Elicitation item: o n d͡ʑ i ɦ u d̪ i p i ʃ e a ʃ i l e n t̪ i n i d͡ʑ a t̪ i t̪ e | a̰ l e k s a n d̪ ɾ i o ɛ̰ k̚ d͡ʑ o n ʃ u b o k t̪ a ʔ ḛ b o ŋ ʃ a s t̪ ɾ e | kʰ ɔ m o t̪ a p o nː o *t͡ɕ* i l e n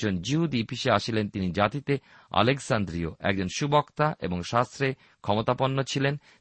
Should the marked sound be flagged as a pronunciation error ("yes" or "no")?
yes